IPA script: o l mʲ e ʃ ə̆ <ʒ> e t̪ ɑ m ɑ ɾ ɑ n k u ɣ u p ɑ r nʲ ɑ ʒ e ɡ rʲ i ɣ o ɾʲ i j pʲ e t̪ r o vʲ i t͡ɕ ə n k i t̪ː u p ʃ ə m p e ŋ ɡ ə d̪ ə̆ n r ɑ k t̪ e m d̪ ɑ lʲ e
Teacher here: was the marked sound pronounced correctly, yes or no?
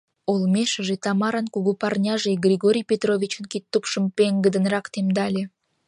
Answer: yes